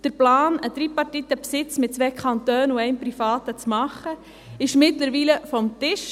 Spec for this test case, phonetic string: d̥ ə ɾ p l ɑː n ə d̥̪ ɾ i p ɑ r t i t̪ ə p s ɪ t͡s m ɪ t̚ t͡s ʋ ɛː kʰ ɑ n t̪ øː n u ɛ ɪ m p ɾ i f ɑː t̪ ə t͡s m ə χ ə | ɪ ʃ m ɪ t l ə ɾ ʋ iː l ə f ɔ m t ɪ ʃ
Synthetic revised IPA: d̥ ə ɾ p l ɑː n ə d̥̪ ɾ i p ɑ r t i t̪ ə p s ɪ t͡s m ɪ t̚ t͡s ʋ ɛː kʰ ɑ n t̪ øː n u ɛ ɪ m p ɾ i f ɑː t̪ ə t͡s m ɑ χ ə | ɪ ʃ m ɪ t l ə ɾ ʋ iː l ə f ɔ m t ɪ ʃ